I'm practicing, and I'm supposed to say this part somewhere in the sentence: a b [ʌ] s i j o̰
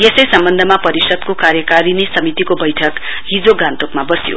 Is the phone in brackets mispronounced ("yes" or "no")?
no